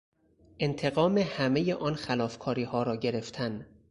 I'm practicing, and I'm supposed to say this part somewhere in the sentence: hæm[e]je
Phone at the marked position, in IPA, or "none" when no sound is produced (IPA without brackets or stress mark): e